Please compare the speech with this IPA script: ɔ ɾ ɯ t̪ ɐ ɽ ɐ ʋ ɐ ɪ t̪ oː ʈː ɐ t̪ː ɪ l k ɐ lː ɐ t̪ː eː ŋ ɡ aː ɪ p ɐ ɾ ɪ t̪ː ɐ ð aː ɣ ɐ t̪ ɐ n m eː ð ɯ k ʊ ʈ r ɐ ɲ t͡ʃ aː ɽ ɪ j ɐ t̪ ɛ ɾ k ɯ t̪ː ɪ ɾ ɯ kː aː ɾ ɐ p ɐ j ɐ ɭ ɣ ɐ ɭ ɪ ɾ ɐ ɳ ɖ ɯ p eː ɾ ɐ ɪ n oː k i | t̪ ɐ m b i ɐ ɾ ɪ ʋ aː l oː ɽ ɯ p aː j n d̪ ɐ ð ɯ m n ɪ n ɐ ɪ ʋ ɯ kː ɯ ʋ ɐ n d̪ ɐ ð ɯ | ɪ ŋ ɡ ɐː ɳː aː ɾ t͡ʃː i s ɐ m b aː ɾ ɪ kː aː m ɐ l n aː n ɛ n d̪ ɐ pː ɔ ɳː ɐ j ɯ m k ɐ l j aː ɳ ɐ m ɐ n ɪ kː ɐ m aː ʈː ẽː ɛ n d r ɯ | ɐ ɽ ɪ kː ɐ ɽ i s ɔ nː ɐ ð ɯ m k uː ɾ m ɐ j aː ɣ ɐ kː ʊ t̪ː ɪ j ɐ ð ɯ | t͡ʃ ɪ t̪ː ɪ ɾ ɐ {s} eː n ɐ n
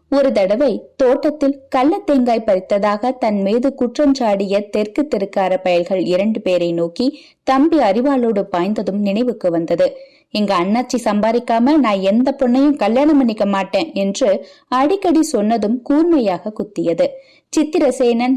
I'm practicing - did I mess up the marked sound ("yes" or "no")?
no